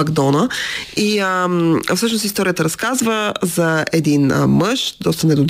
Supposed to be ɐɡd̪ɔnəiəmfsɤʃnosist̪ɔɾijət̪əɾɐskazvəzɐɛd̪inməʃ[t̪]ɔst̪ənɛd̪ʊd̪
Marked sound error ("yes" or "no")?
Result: yes